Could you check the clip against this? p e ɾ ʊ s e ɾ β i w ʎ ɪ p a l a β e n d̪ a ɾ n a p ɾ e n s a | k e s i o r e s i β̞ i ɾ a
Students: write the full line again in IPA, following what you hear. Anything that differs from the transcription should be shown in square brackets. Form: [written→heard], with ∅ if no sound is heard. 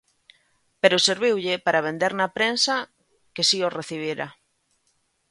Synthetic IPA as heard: p e ɾ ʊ s e ɾ β i w ʎ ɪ p a [l→ɾ] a β e n d̪ [a→e] ɾ n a p ɾ e n s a | k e s i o r e [s→θ] i β̞ i ɾ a